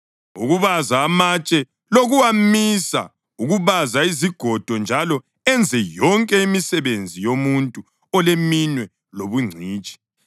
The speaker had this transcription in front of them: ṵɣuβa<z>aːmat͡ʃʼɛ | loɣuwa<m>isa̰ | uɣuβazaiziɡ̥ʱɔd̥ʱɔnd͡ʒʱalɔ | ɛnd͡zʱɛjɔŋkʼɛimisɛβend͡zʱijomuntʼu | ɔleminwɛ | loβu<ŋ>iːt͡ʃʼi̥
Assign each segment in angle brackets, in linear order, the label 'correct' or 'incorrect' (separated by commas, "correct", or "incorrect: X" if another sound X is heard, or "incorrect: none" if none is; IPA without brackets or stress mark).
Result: correct, correct, incorrect: ŋ͡ǀʱ